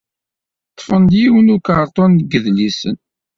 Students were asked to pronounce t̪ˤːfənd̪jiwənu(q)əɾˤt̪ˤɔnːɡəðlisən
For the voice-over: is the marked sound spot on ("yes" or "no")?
no